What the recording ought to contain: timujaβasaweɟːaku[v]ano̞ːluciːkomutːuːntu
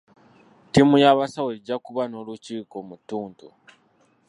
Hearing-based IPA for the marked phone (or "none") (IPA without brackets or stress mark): β